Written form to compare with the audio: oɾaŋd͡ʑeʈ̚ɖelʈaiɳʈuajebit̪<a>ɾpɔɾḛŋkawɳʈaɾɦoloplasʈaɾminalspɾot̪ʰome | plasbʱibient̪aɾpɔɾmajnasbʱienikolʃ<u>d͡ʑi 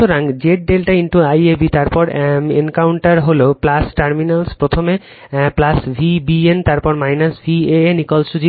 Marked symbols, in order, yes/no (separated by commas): yes, yes